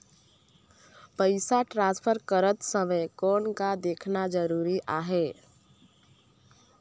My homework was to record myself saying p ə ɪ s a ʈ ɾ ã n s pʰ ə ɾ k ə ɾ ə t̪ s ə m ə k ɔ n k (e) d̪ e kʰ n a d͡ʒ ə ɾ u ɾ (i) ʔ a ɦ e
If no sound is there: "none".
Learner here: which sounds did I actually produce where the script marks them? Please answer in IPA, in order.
a, i

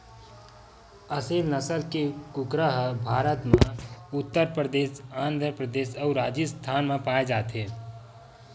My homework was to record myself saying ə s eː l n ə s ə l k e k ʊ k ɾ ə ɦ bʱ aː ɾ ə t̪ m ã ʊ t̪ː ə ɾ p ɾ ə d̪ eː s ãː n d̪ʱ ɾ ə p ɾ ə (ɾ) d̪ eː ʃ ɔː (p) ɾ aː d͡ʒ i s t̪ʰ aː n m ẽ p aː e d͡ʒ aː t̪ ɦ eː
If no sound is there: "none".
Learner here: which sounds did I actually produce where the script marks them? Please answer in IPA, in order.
none, none

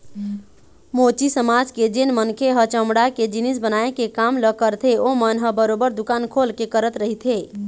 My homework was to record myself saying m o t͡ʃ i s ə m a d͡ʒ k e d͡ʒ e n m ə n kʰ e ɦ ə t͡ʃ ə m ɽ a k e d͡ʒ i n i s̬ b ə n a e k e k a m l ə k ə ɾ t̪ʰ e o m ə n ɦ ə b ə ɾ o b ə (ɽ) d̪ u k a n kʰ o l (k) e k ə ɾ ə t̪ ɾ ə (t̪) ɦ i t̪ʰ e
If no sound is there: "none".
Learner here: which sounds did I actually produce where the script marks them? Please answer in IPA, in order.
ɾ, k, none

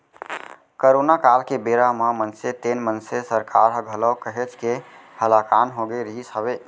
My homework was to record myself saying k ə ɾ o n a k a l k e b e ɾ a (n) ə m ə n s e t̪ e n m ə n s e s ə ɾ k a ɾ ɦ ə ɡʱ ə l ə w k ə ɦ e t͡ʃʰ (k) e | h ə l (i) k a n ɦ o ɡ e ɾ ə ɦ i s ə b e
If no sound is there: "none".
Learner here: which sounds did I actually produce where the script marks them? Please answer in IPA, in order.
m, k, a

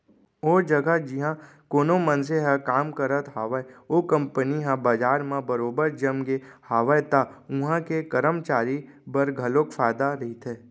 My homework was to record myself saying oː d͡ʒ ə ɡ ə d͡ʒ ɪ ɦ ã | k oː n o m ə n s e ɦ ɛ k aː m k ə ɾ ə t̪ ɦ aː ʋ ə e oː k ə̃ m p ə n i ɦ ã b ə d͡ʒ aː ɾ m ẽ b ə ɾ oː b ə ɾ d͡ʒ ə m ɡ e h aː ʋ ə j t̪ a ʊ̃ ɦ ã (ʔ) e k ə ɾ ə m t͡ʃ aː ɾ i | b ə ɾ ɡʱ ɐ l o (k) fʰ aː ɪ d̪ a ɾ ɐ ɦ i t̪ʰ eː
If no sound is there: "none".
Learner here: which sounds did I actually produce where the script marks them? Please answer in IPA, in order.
k, k

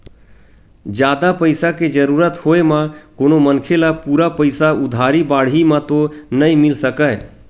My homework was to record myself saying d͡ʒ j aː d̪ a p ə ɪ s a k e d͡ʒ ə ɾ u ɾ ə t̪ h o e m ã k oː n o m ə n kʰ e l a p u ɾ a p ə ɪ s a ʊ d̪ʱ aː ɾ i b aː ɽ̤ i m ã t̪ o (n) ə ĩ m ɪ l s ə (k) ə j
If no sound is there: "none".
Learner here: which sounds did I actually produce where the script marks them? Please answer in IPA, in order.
n, k

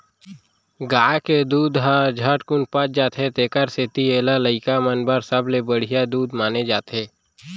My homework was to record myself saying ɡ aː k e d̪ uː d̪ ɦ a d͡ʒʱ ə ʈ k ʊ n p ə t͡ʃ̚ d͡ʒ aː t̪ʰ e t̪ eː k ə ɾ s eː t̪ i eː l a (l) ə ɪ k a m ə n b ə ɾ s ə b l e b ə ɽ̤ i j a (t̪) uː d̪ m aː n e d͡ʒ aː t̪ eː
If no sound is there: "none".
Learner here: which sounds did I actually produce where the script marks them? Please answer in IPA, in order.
l, d̪

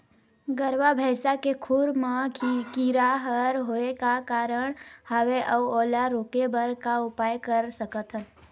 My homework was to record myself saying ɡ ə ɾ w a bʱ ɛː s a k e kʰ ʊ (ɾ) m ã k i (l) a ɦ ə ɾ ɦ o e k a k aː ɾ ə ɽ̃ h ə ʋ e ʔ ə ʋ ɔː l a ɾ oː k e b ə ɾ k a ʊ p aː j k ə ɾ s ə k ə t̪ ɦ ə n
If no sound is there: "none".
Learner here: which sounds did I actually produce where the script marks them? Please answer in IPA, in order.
ɾ, ɾ

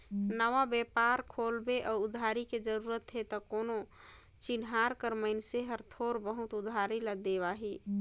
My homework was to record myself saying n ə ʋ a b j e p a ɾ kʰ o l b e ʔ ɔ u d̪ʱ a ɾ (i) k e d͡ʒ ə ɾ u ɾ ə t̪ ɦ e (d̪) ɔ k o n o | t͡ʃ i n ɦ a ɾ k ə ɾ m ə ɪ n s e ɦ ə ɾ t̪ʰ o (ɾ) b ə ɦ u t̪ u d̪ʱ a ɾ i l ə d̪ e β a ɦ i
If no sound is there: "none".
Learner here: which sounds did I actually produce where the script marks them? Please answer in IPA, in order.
i, t̪, ɾ

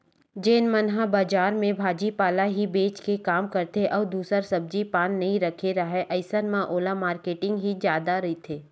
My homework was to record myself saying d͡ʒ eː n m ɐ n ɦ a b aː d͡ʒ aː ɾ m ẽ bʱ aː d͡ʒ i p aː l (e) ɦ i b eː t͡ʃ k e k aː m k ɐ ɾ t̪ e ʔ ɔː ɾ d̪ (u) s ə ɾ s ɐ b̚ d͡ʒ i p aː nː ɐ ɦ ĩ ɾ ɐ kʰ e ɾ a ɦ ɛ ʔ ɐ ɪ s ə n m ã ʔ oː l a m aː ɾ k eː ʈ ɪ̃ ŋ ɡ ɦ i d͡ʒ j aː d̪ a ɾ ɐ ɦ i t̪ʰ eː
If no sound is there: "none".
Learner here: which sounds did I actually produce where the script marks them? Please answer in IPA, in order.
a, uː

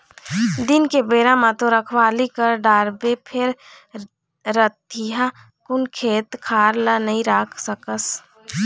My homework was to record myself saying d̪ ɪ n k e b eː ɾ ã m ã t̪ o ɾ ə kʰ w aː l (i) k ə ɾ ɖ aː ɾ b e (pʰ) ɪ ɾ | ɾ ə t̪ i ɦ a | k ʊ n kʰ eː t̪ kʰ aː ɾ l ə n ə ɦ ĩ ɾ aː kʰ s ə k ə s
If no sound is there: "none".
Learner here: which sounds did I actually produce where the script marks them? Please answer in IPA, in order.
i, pʰ

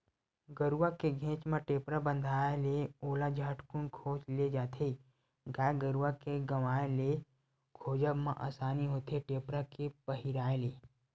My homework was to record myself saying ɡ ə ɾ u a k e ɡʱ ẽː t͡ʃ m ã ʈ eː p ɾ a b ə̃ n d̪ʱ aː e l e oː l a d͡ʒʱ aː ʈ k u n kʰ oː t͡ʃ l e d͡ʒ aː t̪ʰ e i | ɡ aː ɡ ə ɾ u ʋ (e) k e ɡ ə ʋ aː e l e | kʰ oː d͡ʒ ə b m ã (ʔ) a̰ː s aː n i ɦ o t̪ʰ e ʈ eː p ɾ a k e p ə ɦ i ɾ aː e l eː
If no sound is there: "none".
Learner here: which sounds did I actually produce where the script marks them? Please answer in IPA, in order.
a, ʔ

